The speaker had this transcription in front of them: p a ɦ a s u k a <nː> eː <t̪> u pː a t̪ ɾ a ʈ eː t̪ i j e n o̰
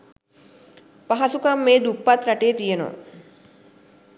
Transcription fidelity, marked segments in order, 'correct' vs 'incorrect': incorrect: mː, incorrect: d̪

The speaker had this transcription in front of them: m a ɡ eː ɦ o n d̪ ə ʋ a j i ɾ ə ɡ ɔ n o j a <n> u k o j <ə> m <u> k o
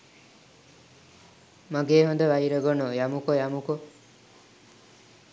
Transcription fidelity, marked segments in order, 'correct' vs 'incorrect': incorrect: m, incorrect: a, correct

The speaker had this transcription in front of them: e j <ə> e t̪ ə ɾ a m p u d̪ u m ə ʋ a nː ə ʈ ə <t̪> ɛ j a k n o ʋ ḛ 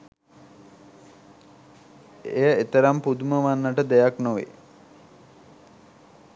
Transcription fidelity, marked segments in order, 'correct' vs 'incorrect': correct, incorrect: d̪

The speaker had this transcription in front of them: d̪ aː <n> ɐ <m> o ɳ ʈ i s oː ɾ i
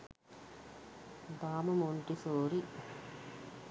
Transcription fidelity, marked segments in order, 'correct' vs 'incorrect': incorrect: m, correct

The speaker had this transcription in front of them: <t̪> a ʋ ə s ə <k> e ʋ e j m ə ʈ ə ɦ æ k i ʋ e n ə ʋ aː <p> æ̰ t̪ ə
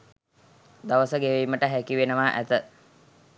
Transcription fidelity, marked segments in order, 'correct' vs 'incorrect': incorrect: d̪, incorrect: ɡ, incorrect: ʔ

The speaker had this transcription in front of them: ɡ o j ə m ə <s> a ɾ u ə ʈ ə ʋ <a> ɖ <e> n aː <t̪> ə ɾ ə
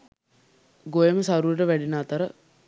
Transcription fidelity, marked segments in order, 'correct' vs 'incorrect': correct, incorrect: æ, incorrect: i, correct

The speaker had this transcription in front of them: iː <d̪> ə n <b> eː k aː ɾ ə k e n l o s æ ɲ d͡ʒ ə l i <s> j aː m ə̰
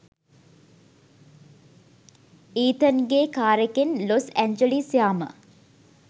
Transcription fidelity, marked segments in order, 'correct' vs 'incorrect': incorrect: t̪, incorrect: ɡ, correct

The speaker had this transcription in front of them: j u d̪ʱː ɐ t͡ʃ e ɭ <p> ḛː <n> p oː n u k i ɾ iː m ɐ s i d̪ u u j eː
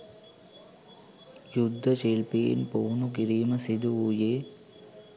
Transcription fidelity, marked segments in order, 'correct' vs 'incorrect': correct, correct

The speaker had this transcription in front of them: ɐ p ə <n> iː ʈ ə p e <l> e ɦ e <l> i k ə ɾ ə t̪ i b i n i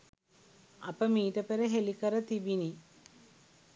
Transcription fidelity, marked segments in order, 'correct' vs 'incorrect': incorrect: m, incorrect: ɾ, correct

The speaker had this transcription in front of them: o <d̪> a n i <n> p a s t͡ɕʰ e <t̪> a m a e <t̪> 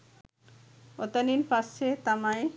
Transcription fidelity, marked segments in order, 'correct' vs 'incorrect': incorrect: t̪, correct, correct, incorrect: none

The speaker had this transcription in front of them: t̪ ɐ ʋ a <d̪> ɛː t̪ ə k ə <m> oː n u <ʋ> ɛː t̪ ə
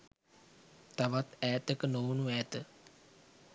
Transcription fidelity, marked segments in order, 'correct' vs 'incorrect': incorrect: t̪, incorrect: n, incorrect: none

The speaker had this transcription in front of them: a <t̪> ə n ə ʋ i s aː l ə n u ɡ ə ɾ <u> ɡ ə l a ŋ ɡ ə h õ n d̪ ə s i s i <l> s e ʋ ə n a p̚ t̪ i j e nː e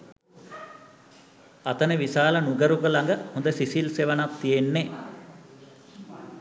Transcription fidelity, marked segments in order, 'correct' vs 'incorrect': correct, correct, correct

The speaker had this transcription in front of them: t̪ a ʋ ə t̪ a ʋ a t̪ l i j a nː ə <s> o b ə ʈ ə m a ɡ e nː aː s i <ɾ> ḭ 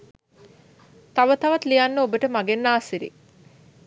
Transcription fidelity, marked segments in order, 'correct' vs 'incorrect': incorrect: none, correct

